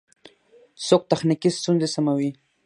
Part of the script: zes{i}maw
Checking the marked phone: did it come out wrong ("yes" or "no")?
yes